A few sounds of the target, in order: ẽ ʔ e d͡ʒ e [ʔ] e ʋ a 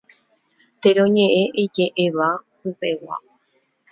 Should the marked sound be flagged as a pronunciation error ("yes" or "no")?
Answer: no